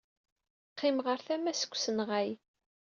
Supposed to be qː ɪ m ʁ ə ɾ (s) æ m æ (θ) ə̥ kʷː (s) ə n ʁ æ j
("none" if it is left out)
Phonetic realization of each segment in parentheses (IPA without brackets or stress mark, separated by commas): θ, s, s